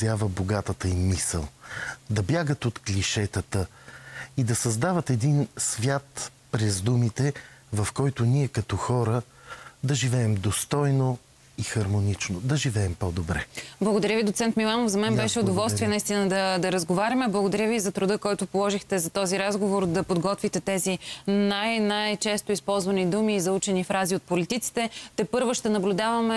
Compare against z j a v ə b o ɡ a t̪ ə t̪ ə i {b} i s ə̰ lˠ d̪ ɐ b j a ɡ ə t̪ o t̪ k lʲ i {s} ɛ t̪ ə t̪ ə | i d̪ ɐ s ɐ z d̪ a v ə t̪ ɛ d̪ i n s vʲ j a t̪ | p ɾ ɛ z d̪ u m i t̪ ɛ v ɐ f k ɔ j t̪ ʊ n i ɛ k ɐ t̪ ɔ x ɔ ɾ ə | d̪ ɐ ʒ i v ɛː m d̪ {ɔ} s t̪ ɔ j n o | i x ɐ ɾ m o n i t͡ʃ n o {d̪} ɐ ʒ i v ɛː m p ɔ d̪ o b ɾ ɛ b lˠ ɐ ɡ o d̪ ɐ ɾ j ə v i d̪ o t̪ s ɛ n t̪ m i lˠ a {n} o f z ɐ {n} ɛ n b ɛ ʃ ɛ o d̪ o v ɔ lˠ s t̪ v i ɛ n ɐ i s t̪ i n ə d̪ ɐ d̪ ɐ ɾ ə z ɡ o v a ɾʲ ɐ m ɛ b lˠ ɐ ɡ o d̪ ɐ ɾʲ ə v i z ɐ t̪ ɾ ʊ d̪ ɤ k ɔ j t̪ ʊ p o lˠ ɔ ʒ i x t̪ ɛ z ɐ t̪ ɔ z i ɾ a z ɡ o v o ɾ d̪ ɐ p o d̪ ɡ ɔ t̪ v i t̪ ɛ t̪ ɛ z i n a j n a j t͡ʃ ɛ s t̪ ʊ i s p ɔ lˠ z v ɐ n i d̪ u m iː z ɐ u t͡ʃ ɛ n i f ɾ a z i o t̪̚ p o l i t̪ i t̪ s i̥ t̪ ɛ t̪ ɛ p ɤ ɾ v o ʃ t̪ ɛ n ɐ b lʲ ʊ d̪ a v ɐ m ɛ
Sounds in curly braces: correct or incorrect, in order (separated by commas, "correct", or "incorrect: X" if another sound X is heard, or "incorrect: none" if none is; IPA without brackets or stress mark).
incorrect: m, incorrect: ʃ, incorrect: o, correct, correct, incorrect: m